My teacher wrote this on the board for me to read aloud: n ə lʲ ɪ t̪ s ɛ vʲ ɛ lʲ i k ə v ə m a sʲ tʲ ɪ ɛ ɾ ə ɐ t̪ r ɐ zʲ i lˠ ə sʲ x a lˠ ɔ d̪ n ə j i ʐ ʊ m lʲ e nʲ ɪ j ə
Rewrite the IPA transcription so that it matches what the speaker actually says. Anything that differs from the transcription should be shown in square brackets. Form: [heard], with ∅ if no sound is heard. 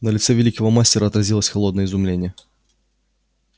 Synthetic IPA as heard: n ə lʲ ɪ t̪ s ɛ vʲ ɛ lʲ i k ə v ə m a sʲ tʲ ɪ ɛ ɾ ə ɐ t̪ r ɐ zʲ i lˠ ə sʲ x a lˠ ɔ d̪ n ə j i [z] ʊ m lʲ e nʲ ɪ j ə